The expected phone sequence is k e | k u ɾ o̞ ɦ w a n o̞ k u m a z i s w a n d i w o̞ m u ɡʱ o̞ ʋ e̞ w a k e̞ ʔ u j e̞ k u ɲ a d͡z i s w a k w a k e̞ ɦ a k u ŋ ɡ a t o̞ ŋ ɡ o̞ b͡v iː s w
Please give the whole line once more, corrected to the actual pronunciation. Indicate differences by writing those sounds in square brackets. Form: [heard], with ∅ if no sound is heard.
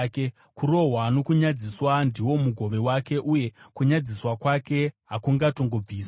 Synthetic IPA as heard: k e | k u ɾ o̞ ɦ w a n o̞ k u [ɲ] a [d͡z] i s w a n d i w o̞ m u ɡʱ o̞ ʋ e̞ w a k e̞ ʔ u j e̞ k u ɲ a d͡z i s w a k w a k e̞ ɦ a k u ŋ ɡ a t o̞ ŋ ɡ o̞ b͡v iː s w